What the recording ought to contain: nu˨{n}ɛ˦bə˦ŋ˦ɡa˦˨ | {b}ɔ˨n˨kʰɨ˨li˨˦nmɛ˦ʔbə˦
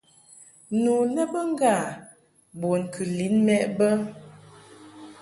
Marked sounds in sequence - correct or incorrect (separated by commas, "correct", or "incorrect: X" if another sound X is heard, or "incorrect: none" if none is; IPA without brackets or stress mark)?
correct, correct